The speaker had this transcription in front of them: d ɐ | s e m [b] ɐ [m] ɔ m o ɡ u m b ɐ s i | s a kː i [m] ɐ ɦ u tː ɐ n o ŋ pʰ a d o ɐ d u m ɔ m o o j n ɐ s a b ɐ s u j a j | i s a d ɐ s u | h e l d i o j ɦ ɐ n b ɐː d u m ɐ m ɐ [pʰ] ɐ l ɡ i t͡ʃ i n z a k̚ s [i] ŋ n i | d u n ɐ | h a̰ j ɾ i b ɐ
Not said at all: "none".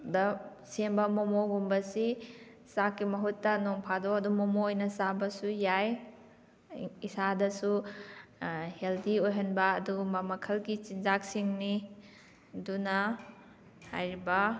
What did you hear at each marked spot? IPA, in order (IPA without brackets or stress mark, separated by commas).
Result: b, m, m, kʰ, i